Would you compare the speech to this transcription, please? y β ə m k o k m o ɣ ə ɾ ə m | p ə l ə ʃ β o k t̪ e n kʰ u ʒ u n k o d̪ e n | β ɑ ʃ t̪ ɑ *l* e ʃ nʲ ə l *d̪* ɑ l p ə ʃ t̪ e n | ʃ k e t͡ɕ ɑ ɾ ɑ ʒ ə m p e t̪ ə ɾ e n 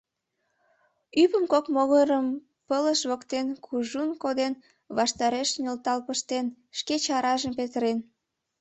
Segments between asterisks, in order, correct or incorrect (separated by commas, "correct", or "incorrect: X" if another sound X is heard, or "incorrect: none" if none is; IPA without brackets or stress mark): incorrect: ɾ, incorrect: t̪